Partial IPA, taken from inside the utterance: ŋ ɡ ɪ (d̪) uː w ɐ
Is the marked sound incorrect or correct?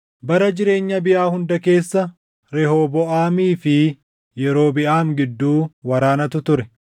incorrect